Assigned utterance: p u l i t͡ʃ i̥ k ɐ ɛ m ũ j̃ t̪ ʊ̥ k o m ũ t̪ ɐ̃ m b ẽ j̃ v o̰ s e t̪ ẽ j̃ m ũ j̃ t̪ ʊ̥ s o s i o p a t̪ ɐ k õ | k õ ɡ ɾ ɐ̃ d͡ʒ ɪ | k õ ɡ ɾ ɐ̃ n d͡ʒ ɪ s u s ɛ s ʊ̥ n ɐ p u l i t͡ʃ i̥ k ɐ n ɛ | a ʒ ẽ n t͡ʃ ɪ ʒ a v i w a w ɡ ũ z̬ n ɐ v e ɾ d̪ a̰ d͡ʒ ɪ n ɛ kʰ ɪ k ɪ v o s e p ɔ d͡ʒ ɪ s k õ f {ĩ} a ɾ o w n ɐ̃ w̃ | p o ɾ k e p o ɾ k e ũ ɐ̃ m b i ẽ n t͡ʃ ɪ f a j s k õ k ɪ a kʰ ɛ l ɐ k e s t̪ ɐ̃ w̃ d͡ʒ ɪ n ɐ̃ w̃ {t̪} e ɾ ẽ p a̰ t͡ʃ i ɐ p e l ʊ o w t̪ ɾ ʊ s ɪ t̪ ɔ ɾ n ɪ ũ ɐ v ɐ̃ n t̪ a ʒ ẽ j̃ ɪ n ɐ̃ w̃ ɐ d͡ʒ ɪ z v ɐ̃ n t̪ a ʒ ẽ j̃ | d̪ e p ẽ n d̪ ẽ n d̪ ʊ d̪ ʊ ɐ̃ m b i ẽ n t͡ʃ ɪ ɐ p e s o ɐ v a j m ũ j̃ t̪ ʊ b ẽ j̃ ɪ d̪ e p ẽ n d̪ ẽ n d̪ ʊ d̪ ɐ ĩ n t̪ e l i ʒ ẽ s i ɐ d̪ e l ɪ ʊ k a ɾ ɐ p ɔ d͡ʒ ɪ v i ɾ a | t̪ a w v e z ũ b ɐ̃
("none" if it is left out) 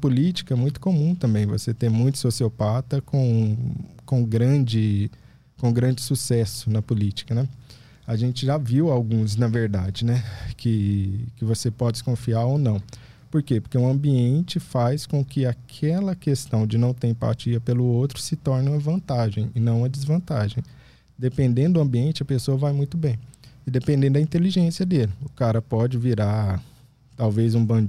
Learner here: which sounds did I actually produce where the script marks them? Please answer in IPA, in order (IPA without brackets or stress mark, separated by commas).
i, t̪